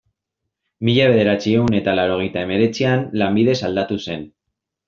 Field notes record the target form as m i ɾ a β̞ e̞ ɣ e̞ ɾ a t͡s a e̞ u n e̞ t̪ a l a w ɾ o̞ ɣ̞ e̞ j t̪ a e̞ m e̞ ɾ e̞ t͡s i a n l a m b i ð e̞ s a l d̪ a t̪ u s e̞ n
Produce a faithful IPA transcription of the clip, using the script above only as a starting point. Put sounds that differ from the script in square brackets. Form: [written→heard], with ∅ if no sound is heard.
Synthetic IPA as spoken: m i [ɾ→ʎ] a β̞ e̞ [ɣ→ð] e̞ ɾ a t͡s [a→i] e̞ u n e̞ t̪ a l a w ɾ o̞ ɣ̞ e̞ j t̪ a e̞ m e̞ ɾ e̞ t͡s i a n l a m b i ð e̞ s a l d̪ a t̪ u s e̞ n